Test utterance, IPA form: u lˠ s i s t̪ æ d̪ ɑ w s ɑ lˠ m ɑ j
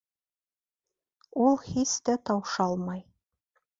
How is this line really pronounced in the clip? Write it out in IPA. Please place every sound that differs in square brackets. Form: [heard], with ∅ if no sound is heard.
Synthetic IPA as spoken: u lˠ [h] i s t̪ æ [t̪] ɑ w [ʃ] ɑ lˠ m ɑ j